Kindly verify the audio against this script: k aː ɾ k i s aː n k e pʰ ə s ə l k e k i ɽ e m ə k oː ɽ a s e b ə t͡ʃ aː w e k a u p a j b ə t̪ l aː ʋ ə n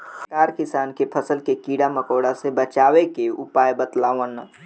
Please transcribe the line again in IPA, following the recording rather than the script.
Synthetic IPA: k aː ɾ k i s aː n k e pʰ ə s ə l k e k i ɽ a m ə k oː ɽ a s e b ə t͡ʃ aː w e k e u p a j b ə t̪ l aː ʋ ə n